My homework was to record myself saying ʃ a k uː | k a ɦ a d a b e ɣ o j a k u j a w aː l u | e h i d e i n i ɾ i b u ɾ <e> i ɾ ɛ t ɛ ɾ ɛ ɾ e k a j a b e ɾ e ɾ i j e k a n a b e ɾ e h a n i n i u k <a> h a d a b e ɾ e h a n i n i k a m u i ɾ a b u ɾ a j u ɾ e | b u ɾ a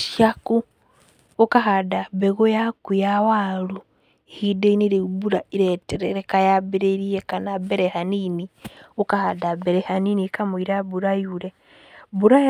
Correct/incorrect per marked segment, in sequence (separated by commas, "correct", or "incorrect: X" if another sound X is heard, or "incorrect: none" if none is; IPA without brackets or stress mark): incorrect: a, correct